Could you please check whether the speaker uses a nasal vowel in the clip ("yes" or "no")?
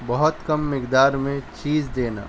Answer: yes